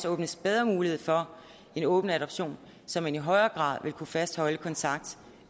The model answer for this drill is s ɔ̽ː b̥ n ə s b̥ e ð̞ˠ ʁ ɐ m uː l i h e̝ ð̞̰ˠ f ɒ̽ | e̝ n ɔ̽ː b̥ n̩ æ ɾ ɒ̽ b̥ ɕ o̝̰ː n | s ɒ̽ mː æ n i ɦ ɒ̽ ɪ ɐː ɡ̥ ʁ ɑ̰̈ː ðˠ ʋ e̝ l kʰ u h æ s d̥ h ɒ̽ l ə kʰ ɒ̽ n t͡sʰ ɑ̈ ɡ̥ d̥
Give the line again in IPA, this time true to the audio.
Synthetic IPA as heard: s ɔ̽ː b̥ n ə s b̥ e ð̞ˠ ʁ ɐ m uː l i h e̝ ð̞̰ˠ f ɒ̽ | e̝ n ɔ̽ː b̥ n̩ æ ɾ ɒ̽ b̥ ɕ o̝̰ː n | s ɒ̽ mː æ n i ɦ ɒ̽ ɪ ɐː ɡ̥ ʁ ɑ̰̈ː ðˠ ʋ e̝ l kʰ u f æ s d̥ h ɒ̽ l ə kʰ ɒ̽ n t͡sʰ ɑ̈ ɡ̥ d̥